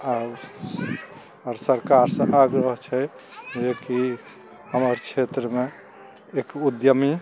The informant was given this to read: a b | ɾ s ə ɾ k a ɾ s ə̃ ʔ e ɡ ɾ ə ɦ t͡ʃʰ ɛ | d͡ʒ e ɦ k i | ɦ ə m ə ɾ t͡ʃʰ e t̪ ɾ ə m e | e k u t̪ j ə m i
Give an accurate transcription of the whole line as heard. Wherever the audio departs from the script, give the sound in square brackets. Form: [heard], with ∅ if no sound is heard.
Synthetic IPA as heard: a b | ɾ s ə ɾ k a ɾ s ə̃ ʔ [a] ɡ ɾ ə ɦ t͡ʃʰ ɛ | d͡ʒ e [∅] k i | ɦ ə m ə ɾ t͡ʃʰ e t̪ ɾ ə m e | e k u [d̪] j ə m i